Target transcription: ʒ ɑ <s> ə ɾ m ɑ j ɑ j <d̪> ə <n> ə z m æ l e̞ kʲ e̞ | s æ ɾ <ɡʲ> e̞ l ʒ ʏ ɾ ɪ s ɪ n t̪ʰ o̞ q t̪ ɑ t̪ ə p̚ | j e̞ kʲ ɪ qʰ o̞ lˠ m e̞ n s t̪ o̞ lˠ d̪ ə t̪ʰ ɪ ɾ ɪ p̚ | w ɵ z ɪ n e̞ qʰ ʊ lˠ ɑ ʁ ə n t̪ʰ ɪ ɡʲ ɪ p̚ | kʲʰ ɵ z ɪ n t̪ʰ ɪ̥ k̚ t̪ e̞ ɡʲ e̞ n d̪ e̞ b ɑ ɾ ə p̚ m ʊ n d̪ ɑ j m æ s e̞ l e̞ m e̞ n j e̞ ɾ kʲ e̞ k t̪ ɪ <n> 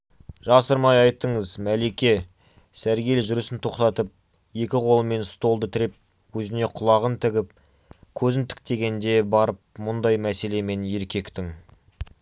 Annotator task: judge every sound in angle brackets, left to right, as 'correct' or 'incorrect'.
correct, incorrect: t̪, incorrect: ɴ, correct, incorrect: ŋ

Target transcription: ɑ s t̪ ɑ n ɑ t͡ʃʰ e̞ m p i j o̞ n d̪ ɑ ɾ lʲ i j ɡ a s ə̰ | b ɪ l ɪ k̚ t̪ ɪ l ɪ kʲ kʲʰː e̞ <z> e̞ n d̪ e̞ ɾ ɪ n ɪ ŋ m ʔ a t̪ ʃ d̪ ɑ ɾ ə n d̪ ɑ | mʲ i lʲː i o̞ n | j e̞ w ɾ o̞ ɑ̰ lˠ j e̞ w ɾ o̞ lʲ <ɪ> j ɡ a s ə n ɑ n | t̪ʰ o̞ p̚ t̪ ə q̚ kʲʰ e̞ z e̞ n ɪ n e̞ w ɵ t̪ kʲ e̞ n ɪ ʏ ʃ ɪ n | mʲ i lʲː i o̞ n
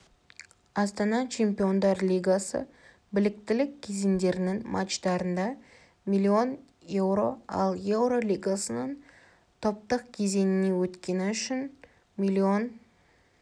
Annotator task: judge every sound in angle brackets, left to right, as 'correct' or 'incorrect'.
correct, incorrect: i

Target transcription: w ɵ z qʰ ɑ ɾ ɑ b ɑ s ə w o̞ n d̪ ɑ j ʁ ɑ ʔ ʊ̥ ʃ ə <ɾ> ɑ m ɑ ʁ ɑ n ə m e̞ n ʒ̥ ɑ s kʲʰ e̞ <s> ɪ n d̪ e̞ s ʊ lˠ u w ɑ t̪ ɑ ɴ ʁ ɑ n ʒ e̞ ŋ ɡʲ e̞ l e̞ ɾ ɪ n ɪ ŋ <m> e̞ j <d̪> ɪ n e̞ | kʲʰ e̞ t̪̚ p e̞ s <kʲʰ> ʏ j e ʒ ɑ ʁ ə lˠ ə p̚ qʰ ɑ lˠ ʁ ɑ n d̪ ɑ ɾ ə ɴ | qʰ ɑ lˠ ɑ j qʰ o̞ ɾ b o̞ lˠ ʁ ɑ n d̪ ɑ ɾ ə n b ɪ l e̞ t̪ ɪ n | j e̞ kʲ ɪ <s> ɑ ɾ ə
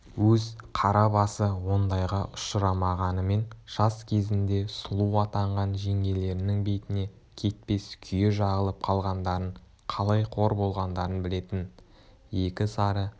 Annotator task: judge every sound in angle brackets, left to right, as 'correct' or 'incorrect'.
correct, incorrect: z, incorrect: b, incorrect: t̪, correct, correct

